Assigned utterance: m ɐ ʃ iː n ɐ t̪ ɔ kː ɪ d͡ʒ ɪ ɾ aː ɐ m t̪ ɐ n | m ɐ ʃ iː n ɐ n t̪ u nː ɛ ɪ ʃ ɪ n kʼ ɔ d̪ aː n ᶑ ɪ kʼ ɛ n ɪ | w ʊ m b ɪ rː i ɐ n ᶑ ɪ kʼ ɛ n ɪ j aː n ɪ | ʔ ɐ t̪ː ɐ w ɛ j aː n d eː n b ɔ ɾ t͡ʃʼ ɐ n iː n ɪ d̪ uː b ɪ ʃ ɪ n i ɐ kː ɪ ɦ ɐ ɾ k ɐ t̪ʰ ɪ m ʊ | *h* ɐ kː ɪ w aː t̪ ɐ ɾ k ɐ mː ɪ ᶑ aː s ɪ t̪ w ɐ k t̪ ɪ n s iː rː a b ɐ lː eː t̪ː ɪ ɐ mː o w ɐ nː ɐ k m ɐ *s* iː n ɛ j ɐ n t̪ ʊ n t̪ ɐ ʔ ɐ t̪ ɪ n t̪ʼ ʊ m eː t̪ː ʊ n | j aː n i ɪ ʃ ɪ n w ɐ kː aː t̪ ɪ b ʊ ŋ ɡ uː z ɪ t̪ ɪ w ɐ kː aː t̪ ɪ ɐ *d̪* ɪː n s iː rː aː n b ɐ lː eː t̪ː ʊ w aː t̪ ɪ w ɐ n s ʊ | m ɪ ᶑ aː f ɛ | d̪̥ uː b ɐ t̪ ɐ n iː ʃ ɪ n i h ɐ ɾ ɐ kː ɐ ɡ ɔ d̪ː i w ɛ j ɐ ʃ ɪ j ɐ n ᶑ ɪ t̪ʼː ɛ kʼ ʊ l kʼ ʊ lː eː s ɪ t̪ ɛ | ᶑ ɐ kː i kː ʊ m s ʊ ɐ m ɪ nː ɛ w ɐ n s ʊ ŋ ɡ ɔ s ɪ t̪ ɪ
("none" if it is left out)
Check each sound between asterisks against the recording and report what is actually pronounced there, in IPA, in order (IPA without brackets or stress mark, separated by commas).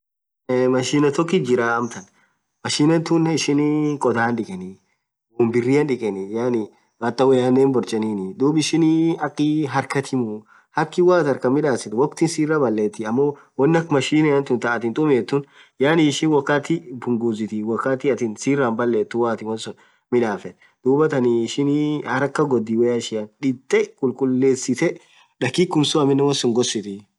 h, ʃ, t̪